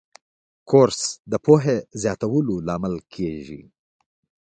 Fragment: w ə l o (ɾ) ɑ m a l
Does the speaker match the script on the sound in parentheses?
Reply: no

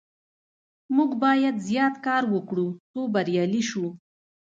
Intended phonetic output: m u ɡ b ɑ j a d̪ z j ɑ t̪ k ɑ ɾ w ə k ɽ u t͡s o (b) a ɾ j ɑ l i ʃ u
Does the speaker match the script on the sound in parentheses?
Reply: yes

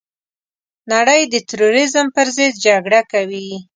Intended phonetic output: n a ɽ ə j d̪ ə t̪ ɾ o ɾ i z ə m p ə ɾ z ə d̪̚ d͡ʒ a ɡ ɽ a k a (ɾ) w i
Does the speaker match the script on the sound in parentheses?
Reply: no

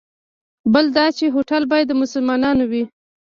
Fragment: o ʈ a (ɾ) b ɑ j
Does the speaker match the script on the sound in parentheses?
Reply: no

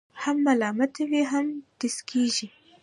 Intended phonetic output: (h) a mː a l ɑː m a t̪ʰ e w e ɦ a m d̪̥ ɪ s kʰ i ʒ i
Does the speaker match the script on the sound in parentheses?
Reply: yes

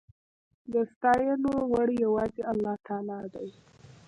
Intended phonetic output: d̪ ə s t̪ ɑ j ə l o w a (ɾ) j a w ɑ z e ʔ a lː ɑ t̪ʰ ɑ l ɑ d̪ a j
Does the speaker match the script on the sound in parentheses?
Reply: no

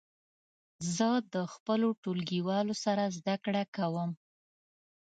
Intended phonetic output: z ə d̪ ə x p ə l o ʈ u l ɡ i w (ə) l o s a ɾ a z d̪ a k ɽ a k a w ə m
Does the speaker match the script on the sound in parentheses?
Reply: no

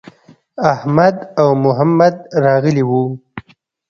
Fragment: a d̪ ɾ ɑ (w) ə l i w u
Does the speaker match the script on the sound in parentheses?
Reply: no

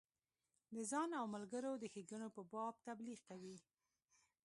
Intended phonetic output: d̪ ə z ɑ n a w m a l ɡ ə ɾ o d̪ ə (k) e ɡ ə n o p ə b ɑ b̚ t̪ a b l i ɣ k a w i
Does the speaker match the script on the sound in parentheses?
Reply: no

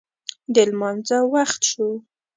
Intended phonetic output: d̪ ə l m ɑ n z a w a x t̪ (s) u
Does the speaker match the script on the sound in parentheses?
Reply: no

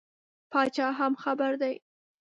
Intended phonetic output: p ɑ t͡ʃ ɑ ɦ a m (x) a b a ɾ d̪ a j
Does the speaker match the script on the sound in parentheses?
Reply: yes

